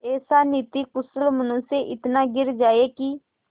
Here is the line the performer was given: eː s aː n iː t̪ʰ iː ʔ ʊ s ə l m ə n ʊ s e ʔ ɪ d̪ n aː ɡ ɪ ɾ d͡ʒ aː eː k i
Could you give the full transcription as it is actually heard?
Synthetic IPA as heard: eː s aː n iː t̪ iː k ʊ s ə l m ə n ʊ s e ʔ ɪ t̪ n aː ɡ ɪ ɾ d͡ʒ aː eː k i